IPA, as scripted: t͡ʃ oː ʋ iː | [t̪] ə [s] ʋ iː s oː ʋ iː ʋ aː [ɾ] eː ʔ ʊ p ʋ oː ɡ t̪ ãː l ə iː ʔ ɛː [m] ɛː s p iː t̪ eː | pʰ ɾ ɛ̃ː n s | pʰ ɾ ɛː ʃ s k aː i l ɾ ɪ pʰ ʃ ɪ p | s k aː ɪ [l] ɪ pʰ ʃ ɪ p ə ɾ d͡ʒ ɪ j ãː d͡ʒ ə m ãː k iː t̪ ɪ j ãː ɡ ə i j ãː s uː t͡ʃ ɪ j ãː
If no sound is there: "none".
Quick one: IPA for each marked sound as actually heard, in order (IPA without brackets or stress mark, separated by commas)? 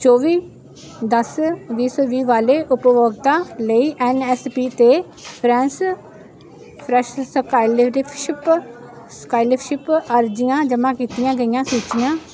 d̪, s, l, n, l